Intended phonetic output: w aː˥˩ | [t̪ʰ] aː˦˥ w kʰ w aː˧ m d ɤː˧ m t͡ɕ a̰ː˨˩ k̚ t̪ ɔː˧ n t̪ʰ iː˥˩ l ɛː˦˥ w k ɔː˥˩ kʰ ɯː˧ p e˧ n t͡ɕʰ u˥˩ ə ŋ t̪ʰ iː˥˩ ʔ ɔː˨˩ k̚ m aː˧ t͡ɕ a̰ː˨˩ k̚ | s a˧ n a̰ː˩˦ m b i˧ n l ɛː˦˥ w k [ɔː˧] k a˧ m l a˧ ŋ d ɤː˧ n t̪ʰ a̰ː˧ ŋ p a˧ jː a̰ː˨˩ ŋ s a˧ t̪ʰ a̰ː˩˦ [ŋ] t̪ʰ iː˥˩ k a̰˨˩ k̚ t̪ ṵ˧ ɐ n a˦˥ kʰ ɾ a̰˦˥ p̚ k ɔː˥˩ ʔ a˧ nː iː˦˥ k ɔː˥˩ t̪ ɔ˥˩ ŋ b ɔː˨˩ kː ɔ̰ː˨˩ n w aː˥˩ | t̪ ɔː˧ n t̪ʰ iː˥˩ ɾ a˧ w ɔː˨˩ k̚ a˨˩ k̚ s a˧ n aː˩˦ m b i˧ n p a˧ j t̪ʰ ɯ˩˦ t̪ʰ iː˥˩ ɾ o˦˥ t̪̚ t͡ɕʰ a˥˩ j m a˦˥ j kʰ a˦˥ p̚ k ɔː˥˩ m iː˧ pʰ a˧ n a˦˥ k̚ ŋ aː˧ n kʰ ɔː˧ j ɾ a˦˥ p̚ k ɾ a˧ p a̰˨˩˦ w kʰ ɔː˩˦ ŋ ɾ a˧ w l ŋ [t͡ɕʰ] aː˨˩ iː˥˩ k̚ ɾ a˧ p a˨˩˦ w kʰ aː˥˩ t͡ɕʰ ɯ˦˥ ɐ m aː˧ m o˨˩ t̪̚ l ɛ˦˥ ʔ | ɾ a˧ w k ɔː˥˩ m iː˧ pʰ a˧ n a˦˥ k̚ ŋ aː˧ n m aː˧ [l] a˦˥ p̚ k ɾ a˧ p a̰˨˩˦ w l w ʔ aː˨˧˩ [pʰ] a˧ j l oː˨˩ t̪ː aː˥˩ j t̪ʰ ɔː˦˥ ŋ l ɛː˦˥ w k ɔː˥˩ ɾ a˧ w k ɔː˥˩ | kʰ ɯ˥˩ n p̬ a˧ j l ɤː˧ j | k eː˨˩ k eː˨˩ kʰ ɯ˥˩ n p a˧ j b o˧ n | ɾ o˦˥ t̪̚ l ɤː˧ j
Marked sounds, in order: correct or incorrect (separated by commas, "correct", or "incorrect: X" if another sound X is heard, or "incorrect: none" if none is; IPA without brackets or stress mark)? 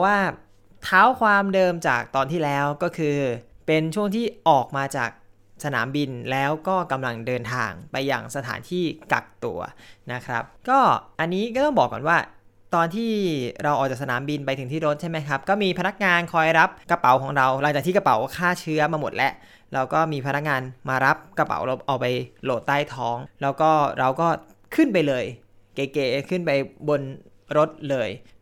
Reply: correct, incorrect: ɔː˥˩, incorrect: n, incorrect: t͡ɕ, incorrect: ɾ, incorrect: p